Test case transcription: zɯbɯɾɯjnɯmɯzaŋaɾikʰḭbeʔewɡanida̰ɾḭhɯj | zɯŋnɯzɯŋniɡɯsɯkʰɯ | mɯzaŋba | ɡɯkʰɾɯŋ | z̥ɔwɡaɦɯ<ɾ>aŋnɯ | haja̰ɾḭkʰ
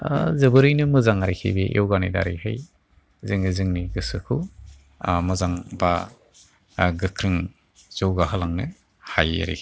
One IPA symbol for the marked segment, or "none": l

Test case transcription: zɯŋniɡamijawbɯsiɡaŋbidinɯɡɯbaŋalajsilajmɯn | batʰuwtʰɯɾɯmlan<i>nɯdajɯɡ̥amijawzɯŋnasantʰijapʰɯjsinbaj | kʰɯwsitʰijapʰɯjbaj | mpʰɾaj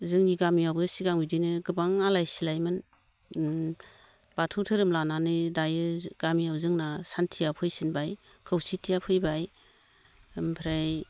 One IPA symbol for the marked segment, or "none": a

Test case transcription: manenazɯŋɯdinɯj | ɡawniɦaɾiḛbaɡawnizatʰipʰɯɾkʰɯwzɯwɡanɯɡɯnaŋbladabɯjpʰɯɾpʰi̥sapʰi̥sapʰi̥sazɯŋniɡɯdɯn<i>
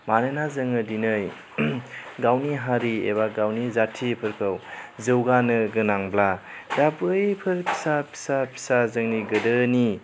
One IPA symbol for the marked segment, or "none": i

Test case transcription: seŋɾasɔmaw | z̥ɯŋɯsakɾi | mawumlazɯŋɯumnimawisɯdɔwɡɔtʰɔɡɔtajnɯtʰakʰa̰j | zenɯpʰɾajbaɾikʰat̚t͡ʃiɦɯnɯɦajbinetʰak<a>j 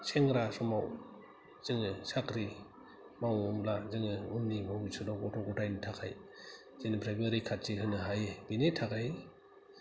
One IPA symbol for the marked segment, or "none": a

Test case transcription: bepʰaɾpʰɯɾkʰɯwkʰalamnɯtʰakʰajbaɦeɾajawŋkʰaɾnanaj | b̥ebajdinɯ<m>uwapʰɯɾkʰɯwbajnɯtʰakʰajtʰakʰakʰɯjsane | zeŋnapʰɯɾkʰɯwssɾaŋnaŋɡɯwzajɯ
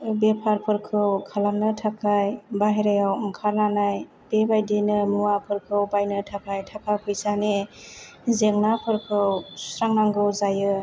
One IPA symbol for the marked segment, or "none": m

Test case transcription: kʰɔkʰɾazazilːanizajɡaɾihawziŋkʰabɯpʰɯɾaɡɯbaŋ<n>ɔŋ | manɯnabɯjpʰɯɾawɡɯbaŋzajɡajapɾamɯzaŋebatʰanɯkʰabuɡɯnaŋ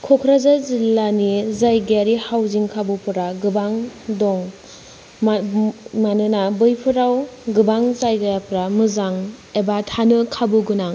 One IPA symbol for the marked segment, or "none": d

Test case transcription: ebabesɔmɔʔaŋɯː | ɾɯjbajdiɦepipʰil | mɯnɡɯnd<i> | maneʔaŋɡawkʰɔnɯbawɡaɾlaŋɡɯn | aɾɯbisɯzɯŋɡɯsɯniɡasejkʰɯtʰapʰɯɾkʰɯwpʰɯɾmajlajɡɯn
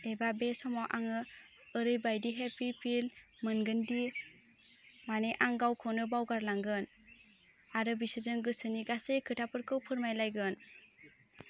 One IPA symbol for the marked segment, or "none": i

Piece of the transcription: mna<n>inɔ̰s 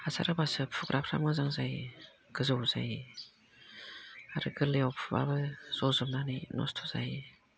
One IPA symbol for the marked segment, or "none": n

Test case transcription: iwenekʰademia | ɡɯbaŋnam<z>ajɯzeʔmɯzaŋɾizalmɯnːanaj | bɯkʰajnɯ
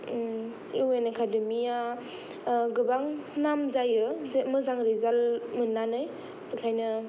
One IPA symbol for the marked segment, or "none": z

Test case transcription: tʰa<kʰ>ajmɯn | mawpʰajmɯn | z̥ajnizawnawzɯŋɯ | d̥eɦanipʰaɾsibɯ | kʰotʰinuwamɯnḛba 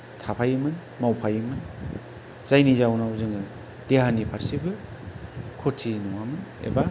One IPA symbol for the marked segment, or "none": pʰ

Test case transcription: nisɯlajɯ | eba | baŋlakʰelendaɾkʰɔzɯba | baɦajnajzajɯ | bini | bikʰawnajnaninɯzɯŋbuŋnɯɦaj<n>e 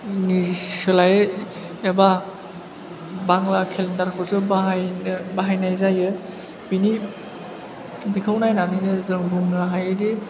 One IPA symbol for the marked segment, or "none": d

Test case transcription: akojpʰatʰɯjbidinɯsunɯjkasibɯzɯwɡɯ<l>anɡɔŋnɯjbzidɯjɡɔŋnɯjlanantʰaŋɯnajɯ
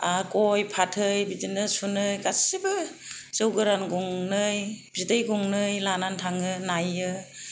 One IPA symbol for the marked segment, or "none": ɾ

